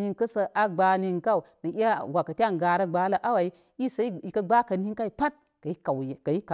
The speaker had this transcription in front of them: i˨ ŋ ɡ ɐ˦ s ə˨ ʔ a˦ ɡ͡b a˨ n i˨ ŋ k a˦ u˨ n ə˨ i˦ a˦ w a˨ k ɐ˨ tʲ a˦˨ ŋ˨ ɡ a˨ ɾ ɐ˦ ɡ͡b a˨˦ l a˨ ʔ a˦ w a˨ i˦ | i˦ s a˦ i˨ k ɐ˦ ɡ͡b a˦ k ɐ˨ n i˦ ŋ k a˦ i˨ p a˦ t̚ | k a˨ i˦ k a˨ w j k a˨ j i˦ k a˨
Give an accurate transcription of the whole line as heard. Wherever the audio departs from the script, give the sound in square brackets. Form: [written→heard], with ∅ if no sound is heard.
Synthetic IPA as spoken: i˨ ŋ [ɡ→k] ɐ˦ s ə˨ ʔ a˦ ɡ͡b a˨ n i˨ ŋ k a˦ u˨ n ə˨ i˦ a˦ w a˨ k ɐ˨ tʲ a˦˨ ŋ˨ ɡ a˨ ɾ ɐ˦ ɡ͡b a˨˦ l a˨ ʔ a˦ w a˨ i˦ | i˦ s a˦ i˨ k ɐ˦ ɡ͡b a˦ k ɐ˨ n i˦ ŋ k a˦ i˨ p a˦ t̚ | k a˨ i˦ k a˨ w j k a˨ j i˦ k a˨